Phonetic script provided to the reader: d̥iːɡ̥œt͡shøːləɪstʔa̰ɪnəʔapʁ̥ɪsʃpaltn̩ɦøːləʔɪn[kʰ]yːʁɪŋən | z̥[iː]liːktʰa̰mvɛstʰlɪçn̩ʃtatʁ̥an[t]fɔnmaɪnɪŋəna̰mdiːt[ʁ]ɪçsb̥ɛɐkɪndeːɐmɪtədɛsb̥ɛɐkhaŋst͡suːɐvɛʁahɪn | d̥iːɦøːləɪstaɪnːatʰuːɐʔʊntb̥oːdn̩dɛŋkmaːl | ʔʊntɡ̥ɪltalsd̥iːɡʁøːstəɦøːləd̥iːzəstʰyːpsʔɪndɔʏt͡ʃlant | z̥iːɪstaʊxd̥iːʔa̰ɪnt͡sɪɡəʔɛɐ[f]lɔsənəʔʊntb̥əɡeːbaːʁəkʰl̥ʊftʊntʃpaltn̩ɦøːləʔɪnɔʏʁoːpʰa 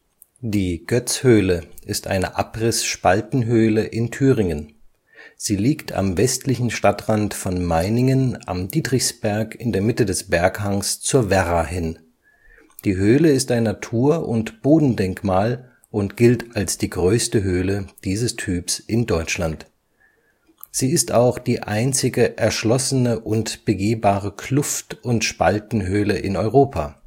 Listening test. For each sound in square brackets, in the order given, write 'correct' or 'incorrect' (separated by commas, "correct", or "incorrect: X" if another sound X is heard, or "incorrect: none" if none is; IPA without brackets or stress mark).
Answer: incorrect: tʰ, correct, correct, correct, incorrect: ʃ